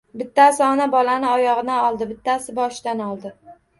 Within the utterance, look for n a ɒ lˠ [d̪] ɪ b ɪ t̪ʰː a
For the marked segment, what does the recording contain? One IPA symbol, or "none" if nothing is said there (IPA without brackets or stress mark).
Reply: d̪